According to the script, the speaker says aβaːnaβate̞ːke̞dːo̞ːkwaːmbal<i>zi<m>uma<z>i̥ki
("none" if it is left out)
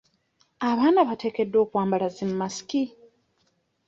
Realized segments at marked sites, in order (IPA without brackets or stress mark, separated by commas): a, m, s